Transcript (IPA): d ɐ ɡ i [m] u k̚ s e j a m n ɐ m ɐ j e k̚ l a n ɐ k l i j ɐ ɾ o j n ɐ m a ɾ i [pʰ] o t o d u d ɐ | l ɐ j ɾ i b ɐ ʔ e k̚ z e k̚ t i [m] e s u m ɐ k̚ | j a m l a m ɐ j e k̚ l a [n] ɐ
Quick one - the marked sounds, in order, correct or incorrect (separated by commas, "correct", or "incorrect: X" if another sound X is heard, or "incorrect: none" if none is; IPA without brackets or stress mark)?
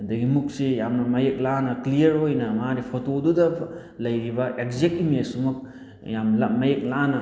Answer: correct, correct, correct, correct